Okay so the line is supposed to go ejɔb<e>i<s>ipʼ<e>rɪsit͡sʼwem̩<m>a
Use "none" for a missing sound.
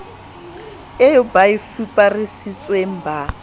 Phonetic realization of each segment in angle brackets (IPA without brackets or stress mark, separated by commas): a, f, a, b